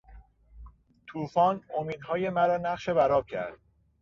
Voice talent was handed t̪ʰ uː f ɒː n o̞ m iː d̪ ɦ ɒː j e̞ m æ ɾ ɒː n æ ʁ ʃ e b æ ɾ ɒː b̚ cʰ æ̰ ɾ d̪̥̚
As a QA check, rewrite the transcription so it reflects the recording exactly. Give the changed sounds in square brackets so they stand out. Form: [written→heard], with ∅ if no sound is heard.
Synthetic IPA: t̪ʰ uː f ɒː n o̞ m iː d̪ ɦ ɒː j e̞ m æ ɾ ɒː n æ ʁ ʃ e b æ ɾ ɒː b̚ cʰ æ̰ ɾ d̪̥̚